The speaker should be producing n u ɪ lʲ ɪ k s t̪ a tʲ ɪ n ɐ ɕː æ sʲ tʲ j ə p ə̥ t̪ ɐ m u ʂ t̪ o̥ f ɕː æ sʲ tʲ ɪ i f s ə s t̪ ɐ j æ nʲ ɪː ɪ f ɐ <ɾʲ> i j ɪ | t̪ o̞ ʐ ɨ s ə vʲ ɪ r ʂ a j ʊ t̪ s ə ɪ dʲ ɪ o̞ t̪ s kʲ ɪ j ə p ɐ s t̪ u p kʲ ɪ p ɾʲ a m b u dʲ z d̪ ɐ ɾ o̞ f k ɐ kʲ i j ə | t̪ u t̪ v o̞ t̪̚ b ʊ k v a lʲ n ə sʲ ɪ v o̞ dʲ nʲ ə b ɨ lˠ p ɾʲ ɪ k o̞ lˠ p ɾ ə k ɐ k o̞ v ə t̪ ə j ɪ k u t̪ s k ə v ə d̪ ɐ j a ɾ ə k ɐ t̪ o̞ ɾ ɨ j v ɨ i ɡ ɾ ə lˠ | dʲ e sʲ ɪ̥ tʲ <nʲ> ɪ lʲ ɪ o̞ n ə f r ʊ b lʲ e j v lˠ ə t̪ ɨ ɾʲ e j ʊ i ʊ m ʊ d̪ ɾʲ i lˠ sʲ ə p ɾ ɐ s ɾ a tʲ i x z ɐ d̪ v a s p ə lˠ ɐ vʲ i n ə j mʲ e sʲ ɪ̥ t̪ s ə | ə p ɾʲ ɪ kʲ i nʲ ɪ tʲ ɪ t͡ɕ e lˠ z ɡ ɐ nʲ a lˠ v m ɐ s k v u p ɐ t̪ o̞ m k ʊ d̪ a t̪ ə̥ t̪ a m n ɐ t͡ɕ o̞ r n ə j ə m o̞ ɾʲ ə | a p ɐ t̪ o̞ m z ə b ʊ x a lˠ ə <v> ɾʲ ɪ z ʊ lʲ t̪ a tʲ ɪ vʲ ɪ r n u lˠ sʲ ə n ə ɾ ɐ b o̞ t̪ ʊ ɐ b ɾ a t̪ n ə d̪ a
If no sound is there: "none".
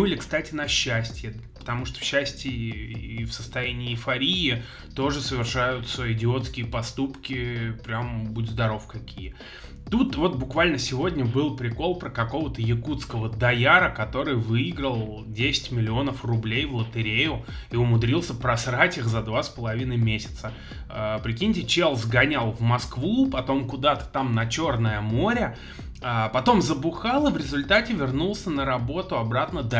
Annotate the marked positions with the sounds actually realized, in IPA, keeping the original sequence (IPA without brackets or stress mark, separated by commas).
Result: ɾʲ, mʲ, v